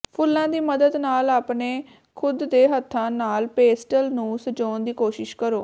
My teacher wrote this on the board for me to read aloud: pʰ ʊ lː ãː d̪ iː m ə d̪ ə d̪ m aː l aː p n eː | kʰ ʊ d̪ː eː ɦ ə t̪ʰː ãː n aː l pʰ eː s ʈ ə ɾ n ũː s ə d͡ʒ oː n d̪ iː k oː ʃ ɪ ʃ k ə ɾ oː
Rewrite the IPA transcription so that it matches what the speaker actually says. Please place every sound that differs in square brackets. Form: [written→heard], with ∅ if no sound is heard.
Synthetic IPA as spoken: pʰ ʊ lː ãː d̪ iː m ə d̪ ə d̪ [m→n] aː l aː p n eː | kʰ ʊ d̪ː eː ɦ ə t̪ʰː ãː n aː l [pʰ→p] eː s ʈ ə [ɾ→l] n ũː s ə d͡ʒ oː n d̪ iː k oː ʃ ɪ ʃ k ə ɾ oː